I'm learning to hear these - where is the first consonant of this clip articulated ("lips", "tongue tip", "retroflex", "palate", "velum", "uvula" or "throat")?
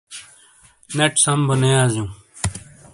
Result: tongue tip